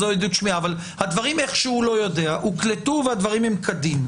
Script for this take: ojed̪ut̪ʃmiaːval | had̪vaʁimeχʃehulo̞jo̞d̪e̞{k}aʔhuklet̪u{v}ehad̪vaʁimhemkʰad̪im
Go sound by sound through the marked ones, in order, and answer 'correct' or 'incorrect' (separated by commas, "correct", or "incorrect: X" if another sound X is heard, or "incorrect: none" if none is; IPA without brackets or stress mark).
incorrect: none, correct